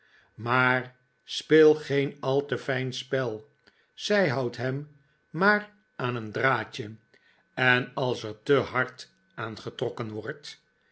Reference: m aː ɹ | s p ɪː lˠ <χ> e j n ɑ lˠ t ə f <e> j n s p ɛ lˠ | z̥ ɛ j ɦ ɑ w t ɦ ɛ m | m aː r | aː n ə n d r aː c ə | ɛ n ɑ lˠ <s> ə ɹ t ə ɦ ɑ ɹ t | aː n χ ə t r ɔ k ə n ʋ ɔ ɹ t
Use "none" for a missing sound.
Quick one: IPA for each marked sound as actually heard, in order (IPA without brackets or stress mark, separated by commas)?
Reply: χ, ɛ, s